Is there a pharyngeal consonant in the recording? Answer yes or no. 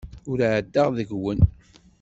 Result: yes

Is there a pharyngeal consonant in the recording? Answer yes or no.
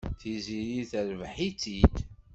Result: yes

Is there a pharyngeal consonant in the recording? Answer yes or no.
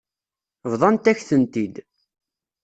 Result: no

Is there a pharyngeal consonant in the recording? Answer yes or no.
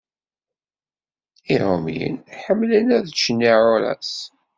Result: yes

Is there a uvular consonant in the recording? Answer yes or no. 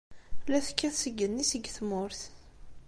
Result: no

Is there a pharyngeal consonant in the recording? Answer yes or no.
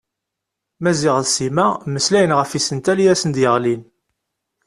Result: no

